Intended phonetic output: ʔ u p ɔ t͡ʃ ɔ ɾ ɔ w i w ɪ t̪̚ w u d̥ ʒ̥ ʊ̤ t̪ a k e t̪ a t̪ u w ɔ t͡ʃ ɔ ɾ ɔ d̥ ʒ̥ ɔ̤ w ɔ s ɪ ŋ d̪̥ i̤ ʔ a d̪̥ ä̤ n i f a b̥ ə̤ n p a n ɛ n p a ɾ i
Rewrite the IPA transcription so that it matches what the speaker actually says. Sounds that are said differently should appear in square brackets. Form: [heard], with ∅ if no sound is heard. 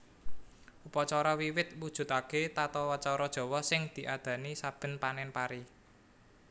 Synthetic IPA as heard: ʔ u p ɔ t͡ʃ ɔ ɾ ɔ w i w ɪ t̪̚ w u d̥ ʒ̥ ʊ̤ t̪ a k e t̪ a t̪ [ɔ] w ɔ t͡ʃ ɔ ɾ ɔ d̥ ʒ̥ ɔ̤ w ɔ s ɪ ŋ d̪̥ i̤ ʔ a d̪̥ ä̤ n i [s] a b̥ ə̤ n p a n ɛ n p a ɾ i